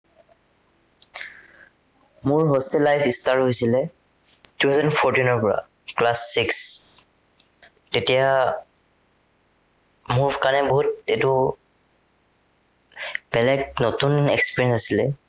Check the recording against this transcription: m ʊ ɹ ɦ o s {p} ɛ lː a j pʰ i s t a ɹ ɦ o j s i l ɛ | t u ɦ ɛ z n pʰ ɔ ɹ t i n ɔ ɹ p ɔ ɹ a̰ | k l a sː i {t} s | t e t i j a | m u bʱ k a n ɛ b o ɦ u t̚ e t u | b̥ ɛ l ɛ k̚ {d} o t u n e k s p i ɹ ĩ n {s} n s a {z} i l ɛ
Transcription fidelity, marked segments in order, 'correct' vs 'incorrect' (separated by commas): incorrect, incorrect, incorrect, correct, incorrect